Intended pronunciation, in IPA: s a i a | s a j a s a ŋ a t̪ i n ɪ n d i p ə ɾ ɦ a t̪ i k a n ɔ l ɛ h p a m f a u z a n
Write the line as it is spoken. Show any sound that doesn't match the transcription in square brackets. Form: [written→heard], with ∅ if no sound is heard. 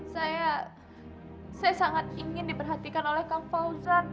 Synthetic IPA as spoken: s a [i→j] a | s a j a s a ŋ a t̪ i [n→ŋ] ɪ n d i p ə [ɾ→r] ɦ a t̪ i k a n [ɔ→o] l ɛ h [p→k] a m f a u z a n